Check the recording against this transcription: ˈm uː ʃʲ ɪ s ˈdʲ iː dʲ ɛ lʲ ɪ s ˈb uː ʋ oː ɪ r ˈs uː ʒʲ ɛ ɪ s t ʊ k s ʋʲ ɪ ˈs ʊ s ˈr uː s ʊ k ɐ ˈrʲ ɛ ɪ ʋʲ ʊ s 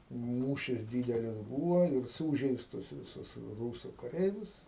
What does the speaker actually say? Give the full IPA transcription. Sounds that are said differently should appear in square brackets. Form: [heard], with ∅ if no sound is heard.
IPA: ˈm uː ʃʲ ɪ s ˈdʲ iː dʲ ɛ lʲ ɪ s ˈb uː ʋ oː ɪ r ˈs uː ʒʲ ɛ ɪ s t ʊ [∅] s ʋʲ ɪ ˈs ʊ s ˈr uː s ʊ k ɐ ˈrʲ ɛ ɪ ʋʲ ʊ s